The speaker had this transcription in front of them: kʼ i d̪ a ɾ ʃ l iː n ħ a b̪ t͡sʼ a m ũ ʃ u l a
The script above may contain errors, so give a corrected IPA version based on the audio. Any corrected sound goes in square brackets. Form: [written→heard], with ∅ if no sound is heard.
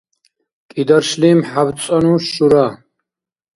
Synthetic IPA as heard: kʼ i d̪ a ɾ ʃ l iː [n→m] ħ a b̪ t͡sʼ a [m→n] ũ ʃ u [l→ɾ] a